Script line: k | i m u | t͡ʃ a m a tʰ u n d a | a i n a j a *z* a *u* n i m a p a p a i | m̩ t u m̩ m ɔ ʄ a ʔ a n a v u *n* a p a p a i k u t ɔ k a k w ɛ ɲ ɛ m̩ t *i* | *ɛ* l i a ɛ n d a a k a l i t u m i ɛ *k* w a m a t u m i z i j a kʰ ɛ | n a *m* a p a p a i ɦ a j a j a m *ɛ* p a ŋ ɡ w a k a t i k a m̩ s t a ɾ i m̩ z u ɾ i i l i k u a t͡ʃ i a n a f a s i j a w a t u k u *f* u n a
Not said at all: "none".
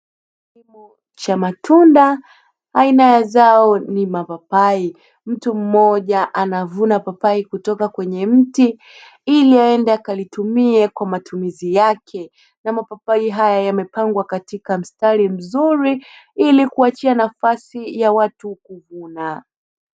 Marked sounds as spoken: z, ɔ, n, i, i, k, m, ɛ, v

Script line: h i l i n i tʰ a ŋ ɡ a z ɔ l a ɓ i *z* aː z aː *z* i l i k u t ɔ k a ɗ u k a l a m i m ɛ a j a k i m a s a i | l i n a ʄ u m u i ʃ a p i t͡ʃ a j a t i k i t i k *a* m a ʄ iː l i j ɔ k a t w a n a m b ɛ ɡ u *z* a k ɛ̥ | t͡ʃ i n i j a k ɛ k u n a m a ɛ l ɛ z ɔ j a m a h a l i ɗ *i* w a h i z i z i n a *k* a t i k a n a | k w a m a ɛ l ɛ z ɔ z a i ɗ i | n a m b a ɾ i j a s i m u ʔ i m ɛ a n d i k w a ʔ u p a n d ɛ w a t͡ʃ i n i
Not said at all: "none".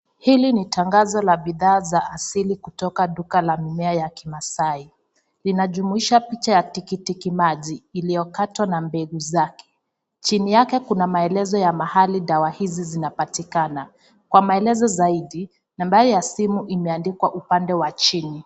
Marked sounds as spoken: ð, s, i, z, a, p

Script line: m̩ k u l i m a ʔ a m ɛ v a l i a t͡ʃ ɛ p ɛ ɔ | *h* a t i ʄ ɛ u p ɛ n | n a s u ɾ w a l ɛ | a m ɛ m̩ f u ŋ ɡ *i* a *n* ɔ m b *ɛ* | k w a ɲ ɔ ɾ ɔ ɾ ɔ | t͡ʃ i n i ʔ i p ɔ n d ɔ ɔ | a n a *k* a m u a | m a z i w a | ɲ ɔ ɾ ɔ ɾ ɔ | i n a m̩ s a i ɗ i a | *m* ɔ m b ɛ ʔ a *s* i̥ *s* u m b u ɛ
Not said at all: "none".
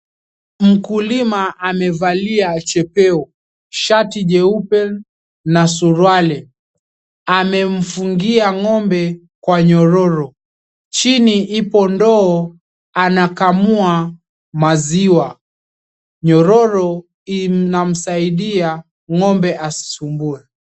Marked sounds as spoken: ʃ, i, ŋ, ɛ, k, ŋ, s, s

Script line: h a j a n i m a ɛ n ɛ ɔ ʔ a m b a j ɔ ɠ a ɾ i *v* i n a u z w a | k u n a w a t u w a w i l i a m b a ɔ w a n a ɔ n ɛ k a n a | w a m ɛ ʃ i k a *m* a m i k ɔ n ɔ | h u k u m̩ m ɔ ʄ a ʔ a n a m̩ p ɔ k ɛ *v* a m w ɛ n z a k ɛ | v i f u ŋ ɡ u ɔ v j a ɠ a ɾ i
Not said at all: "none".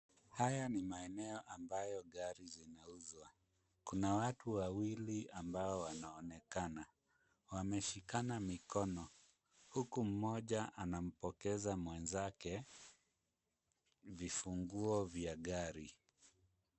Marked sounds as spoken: z, n, z

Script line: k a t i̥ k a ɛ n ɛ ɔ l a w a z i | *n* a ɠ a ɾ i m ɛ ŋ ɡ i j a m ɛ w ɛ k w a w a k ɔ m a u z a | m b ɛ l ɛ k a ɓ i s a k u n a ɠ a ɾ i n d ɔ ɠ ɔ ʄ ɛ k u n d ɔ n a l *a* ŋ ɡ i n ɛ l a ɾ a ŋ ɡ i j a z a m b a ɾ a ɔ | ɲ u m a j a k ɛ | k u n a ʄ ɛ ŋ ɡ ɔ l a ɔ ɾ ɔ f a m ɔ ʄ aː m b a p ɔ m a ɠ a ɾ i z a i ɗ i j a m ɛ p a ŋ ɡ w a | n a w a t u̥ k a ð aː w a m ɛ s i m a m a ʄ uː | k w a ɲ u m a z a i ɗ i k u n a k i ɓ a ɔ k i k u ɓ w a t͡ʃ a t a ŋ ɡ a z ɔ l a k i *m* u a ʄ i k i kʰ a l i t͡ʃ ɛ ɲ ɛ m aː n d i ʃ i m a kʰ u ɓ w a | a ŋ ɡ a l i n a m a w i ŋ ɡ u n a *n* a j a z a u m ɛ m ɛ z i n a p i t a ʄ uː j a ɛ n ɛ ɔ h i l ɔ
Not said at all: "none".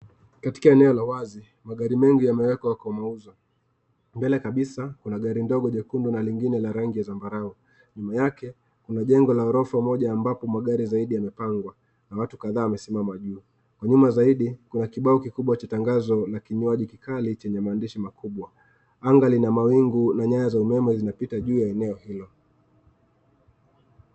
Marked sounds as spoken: m, i, ɲ, ɲ

